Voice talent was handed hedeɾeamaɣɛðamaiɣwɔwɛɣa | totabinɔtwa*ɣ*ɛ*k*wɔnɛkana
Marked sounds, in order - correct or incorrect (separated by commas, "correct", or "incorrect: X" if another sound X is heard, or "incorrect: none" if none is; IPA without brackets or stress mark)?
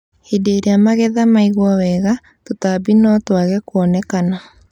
correct, correct